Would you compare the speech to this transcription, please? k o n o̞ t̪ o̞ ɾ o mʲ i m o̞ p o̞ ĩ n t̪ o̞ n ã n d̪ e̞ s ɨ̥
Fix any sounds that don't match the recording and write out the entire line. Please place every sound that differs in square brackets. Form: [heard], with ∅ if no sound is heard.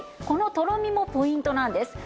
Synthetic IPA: k o n o̞ t̪ o̞ ɾ o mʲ i m o̞ p o̞ ĩ n t̪ o̞ n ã n d̪ e̞ s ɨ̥